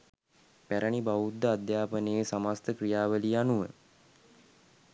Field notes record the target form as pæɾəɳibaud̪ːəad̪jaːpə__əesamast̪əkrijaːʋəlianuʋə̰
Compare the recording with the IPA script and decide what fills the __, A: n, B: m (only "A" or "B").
A